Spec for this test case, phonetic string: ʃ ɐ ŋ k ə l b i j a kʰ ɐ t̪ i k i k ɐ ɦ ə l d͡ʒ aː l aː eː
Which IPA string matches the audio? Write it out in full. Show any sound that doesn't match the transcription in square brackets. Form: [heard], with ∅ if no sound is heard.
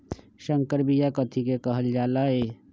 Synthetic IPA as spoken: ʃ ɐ ŋ k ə [ɾ] b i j a [k] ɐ [t̪ʰ] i k [e] k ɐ ɦ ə l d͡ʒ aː l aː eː